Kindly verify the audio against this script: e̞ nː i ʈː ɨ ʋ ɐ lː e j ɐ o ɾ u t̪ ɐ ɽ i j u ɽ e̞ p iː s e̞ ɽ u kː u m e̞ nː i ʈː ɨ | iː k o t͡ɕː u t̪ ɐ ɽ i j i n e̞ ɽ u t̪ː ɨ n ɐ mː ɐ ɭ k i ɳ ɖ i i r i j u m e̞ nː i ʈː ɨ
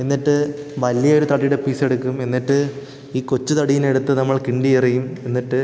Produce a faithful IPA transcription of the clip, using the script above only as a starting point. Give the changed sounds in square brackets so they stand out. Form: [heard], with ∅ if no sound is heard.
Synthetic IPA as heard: e̞ nː i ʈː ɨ ʋ ɐ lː [i] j ɐ o ɾ u t̪ ɐ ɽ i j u ɽ e̞ p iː s e̞ ɽ u kː u m e̞ nː i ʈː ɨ | iː k o t͡ɕː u t̪ ɐ ɽ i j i n e̞ ɽ u t̪ː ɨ n ɐ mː ɐ ɭ k i ɳ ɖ i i r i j u m e̞ nː i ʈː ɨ

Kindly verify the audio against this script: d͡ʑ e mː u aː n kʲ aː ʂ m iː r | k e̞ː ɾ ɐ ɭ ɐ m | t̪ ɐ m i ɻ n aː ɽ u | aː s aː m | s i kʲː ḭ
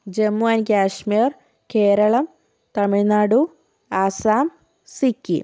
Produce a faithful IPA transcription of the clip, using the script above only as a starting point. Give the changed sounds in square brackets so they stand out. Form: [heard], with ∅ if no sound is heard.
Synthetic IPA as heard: d͡ʑ e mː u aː n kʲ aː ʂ m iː r | k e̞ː ɾ ɐ ɭ ɐ m | t̪ ɐ m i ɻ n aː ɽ u | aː s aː m | s i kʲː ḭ

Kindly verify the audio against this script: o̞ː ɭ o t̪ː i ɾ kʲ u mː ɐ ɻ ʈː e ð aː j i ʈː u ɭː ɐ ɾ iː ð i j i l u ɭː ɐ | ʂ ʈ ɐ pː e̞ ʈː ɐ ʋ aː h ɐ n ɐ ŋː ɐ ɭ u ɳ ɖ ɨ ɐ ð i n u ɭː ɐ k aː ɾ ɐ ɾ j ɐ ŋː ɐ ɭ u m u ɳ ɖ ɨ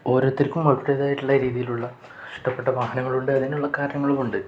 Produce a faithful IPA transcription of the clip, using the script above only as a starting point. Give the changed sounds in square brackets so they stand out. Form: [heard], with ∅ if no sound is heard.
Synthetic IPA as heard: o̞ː [ɾ] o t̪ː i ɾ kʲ u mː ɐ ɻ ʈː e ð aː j i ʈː u ɭː ɐ ɾ iː ð i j i l u ɭː ɐ | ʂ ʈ ɐ pː e̞ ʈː ɐ ʋ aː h ɐ n ɐ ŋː ɐ ɭ u ɳ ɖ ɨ ɐ ð i n u ɭː ɐ k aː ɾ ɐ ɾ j ɐ ŋː ɐ ɭ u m u ɳ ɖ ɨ

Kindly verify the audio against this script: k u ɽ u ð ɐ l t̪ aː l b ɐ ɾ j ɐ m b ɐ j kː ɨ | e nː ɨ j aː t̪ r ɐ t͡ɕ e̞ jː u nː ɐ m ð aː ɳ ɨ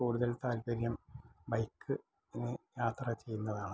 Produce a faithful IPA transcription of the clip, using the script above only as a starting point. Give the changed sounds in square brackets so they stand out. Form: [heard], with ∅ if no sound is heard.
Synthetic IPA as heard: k [uː] ɽ u ð ɐ l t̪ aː l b ɐ ɾ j ɐ m b ɐ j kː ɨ | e nː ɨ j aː t̪ r ɐ t͡ɕ e̞ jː u nː ɐ [∅] ð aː ɳ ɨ

